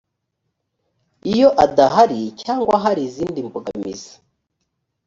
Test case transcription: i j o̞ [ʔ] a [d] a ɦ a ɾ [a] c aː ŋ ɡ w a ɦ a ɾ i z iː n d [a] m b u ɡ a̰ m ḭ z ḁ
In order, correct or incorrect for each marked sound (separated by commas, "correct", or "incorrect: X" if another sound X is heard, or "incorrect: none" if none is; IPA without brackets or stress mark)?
correct, correct, incorrect: i, incorrect: i